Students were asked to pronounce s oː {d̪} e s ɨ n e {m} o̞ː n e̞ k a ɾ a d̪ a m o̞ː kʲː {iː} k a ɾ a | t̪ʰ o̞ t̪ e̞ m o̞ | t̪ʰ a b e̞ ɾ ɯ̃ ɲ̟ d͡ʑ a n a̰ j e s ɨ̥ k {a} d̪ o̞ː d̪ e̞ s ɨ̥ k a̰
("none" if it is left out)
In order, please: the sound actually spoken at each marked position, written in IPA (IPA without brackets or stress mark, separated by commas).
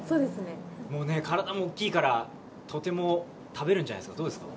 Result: d̪, m, iː, a